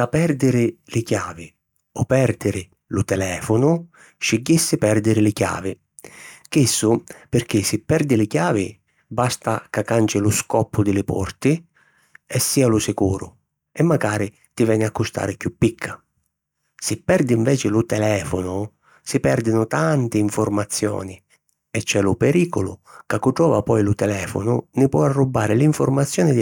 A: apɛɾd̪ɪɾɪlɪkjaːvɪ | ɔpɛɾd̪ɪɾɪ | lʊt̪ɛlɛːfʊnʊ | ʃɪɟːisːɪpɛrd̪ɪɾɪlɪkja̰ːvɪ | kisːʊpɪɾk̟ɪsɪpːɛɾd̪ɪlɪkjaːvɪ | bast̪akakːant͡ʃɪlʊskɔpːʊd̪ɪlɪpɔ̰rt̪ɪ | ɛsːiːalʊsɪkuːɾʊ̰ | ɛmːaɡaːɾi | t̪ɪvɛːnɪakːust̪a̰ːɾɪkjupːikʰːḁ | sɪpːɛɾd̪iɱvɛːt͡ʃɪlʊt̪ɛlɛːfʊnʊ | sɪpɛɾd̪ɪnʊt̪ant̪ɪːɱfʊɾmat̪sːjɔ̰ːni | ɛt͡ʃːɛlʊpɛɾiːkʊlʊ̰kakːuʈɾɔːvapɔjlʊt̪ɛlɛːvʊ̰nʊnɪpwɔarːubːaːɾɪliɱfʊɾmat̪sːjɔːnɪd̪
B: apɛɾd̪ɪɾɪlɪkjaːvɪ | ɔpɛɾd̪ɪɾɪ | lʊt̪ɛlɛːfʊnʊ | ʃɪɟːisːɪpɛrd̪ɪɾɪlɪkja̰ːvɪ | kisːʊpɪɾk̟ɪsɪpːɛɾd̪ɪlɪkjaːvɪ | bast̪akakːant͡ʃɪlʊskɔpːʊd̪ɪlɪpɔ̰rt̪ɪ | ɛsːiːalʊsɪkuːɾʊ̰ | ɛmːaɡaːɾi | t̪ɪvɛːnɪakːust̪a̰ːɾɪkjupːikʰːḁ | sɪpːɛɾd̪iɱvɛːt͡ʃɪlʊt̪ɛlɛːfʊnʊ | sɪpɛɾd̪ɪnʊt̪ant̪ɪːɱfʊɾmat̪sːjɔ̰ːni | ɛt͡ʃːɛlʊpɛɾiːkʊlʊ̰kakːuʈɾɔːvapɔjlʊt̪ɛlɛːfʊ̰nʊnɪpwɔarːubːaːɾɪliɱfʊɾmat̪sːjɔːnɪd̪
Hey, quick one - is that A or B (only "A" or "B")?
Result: B